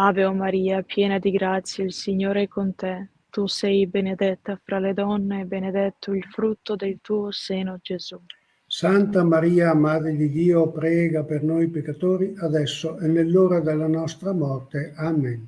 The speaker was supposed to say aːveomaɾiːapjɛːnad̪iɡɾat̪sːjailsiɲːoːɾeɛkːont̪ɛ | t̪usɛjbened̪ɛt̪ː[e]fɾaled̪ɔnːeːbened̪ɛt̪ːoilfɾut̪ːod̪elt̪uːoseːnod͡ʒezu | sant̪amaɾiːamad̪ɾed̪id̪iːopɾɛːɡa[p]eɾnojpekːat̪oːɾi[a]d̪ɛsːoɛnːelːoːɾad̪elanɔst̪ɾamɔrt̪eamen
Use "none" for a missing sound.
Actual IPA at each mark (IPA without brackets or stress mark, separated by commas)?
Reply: a, p, a